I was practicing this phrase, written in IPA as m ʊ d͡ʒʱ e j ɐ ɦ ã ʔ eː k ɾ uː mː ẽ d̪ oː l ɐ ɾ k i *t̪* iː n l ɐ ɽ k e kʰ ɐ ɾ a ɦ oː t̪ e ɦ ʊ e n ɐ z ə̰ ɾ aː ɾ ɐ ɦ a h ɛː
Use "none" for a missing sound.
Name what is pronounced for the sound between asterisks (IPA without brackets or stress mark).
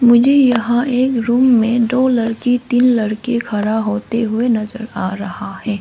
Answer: t̪